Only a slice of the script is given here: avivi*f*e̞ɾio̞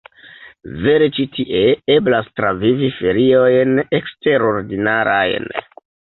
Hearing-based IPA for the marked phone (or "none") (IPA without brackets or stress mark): f